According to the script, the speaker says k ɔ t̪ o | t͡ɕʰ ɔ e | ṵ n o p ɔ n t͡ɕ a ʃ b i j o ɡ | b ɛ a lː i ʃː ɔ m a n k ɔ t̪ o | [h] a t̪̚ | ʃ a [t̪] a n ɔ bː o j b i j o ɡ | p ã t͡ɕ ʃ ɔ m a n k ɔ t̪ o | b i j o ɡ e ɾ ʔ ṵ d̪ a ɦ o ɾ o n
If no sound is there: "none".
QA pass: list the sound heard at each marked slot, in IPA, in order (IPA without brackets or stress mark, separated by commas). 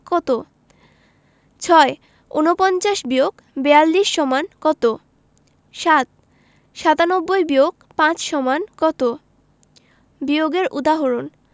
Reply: ʃ, t̪